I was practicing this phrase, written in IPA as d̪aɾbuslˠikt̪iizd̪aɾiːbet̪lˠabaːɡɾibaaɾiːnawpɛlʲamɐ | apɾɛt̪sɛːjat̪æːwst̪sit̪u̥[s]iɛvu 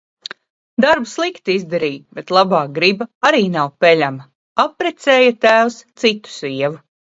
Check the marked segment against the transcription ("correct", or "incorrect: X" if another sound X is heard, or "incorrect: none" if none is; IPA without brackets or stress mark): correct